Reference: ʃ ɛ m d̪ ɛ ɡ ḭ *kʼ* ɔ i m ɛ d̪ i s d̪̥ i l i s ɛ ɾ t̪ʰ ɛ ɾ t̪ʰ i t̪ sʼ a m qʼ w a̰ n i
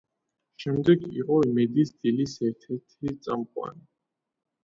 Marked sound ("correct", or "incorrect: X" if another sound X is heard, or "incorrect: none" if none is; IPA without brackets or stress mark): incorrect: qʼ